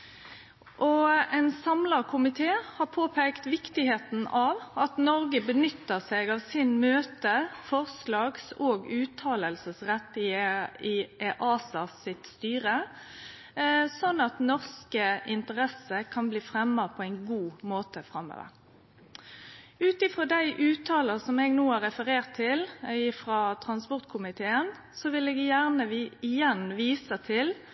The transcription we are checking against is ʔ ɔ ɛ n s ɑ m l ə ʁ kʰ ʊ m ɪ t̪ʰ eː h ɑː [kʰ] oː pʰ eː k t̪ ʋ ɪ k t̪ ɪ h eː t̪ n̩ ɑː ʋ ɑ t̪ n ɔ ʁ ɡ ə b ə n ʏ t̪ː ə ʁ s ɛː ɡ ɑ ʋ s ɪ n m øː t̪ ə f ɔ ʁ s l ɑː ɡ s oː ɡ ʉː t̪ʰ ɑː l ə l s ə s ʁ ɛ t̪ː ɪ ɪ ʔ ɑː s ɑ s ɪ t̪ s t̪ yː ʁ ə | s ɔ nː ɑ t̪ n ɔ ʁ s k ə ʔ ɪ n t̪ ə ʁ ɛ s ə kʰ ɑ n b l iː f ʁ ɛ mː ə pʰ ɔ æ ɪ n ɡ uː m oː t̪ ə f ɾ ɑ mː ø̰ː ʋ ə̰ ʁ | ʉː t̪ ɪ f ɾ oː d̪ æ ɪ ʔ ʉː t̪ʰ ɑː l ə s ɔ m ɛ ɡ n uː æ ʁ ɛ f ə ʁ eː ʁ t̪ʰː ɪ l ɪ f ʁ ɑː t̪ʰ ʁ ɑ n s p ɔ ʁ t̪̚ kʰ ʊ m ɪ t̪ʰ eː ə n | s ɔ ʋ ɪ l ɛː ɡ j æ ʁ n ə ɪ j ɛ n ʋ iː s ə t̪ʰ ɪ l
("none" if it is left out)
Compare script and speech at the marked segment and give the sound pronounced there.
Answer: pʰ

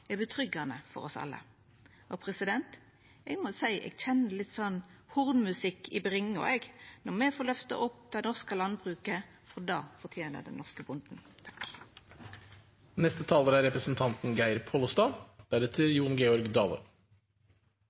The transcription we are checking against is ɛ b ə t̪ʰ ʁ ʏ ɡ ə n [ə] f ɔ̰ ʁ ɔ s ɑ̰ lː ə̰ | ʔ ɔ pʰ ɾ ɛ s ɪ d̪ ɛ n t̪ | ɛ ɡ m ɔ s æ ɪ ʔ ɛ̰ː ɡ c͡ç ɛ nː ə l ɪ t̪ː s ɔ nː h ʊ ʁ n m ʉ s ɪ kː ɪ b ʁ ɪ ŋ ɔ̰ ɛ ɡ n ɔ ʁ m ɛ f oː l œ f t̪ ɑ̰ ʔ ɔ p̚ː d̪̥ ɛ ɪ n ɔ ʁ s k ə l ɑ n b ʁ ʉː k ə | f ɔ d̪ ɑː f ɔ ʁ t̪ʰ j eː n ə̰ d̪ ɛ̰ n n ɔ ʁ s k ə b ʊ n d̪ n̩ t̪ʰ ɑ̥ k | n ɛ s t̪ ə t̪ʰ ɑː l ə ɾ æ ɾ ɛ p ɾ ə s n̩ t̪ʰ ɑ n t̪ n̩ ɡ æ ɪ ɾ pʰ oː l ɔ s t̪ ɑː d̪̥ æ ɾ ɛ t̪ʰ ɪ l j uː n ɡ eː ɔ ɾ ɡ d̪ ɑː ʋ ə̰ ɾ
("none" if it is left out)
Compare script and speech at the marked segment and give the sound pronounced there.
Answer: ə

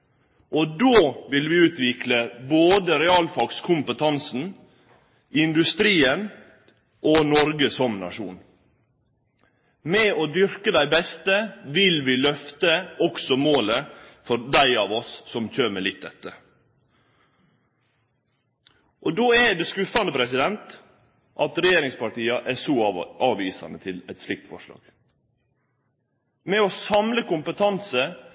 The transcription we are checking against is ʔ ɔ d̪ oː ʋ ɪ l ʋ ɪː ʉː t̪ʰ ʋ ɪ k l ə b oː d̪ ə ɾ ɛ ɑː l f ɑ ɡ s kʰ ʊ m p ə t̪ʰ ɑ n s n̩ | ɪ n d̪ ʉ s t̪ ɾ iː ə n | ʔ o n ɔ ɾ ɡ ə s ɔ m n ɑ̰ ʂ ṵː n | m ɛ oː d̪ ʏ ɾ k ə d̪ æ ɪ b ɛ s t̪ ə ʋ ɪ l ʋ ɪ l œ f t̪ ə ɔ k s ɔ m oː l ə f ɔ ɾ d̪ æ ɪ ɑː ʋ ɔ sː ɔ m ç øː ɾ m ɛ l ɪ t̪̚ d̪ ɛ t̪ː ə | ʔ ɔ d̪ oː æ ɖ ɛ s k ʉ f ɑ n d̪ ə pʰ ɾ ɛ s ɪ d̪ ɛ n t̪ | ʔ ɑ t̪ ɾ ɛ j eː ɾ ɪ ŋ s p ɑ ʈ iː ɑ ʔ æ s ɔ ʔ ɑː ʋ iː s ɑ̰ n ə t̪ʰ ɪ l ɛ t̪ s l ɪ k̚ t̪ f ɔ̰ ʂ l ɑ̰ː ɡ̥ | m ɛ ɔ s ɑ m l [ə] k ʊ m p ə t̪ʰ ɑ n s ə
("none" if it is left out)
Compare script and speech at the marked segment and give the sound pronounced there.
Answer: ə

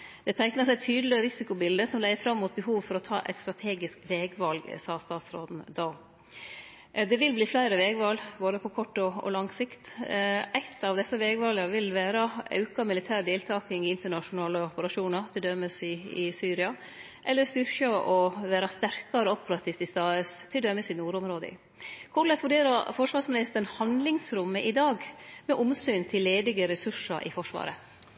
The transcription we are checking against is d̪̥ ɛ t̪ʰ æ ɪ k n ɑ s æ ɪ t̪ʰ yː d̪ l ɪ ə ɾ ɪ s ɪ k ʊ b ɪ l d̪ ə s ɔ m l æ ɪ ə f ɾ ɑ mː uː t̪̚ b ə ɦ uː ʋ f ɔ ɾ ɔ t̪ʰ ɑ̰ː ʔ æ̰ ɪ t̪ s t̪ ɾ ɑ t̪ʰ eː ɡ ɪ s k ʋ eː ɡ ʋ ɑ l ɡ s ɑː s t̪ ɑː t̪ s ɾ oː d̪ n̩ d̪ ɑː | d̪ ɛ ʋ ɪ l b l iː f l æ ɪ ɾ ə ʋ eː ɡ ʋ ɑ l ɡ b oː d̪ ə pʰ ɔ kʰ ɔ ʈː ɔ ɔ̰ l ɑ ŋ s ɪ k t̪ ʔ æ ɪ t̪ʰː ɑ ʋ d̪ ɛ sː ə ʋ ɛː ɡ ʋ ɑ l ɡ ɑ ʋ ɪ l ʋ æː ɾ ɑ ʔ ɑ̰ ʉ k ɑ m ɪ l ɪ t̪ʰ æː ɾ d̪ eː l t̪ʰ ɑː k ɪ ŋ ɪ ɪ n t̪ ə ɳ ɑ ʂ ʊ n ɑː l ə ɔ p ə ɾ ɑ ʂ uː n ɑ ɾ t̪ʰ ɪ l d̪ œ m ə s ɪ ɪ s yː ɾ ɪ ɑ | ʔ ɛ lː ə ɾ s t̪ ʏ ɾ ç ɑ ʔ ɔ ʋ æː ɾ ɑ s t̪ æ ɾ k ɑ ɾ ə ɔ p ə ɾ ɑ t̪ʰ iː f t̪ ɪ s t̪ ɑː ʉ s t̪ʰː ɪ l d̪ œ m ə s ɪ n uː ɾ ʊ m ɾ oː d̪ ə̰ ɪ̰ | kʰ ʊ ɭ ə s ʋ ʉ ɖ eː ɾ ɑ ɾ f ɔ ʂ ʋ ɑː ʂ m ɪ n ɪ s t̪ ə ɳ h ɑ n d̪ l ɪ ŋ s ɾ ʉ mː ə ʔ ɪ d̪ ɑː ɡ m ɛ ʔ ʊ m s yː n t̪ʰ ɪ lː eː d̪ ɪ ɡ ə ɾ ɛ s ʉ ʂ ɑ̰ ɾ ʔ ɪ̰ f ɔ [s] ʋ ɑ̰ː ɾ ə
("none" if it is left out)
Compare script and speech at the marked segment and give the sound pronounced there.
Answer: ʂ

